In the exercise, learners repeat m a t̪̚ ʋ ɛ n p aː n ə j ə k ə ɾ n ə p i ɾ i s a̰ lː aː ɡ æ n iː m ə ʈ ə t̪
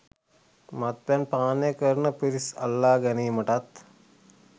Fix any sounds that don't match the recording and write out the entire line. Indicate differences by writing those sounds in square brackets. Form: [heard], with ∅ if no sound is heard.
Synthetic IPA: m a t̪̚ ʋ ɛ n p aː n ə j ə k ə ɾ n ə p i ɾ i s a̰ lː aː ɡ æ n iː m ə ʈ [a] t̪